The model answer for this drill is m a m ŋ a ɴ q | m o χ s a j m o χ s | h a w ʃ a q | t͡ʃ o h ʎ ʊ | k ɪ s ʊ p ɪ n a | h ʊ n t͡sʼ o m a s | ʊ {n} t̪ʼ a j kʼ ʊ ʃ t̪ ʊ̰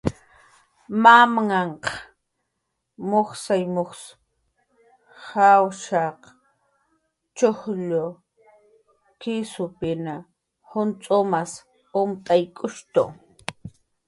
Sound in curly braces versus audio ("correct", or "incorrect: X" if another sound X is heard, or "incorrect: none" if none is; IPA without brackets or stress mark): incorrect: m